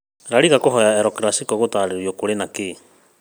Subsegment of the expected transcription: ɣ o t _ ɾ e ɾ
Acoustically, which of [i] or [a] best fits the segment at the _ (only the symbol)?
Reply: a